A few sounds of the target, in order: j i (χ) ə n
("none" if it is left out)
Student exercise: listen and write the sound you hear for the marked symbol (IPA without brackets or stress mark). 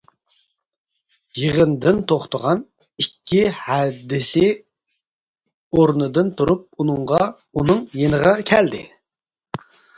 ʁ